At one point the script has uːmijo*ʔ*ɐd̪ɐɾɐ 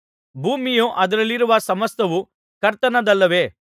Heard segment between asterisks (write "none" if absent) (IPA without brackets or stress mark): ʔ